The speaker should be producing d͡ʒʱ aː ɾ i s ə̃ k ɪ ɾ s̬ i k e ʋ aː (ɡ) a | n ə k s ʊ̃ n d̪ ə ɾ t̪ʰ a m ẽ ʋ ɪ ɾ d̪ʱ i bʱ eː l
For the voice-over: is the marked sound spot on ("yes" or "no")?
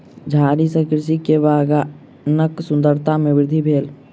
yes